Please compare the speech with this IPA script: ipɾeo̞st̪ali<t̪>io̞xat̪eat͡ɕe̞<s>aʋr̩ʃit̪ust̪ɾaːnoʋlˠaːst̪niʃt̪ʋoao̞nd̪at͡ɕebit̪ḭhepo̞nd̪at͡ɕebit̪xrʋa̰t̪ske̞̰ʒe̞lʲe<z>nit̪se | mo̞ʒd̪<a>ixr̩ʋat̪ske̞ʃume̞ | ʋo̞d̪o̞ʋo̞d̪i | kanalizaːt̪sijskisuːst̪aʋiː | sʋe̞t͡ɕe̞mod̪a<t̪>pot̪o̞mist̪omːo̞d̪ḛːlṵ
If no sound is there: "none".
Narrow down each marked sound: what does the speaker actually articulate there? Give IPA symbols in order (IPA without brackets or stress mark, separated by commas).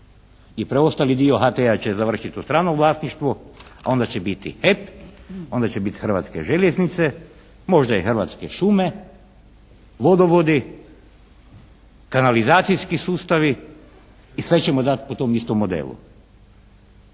d̪, z, z, a, t̪